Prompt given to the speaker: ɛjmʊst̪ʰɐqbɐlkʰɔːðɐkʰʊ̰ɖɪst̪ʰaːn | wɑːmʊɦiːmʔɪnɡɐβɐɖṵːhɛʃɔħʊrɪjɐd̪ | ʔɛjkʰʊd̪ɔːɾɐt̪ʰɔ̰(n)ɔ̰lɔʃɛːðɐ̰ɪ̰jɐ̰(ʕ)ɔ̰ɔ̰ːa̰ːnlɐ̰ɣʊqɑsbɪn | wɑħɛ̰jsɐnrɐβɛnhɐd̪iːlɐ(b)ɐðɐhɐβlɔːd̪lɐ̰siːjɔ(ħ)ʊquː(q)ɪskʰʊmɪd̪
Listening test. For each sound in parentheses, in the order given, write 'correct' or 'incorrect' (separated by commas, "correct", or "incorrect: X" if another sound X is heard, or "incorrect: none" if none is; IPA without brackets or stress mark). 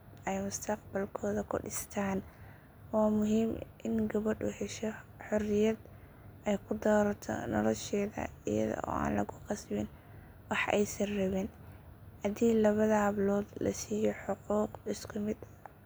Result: correct, incorrect: ð, incorrect: β, correct, correct